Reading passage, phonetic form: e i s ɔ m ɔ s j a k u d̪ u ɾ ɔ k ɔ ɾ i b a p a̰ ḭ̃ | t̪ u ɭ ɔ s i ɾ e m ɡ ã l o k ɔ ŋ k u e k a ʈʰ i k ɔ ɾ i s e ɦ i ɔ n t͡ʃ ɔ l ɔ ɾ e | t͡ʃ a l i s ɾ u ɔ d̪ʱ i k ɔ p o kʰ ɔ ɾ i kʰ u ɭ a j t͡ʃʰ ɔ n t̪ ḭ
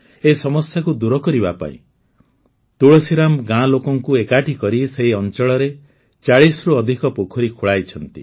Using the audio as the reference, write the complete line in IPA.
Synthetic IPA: e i s ɔ m ɔ s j a k u d̪ u ɾ ɔ k ɔ ɾ i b a p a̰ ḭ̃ | t̪ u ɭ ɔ s i ɾ a m ɡ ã l o k ɔ ŋ k u e k a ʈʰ i k ɔ ɾ i s e ɦ i ɔ n t͡ʃ ɔ ɭ ɔ ɾ e | t͡ʃ a ɭ i s ɾ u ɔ d̪ʱ i k ɔ p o kʰ ɔ ɾ i kʰ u ɭ a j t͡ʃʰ ɔ n t̪ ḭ